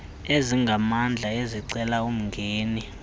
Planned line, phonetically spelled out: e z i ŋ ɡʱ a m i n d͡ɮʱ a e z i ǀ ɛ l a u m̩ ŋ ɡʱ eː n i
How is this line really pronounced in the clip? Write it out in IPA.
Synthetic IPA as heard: e z i ŋ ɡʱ a m a n d͡ɮʱ a e z i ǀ ɛ l a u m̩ ŋ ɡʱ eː n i